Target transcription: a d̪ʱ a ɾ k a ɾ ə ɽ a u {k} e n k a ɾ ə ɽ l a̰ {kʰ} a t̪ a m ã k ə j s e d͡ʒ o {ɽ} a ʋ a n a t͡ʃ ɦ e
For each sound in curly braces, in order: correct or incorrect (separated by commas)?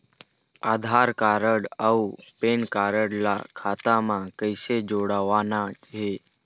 incorrect, correct, correct